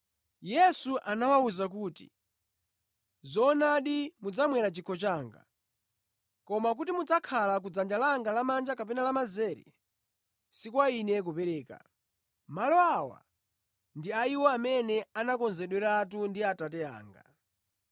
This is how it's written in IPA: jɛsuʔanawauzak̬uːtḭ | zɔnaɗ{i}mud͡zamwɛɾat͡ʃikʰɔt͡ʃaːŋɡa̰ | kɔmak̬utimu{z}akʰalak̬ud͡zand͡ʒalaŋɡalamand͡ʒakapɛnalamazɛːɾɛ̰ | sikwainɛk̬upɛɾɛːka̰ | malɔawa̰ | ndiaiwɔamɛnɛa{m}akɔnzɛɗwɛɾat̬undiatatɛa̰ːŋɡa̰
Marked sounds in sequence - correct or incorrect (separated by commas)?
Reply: correct, incorrect, incorrect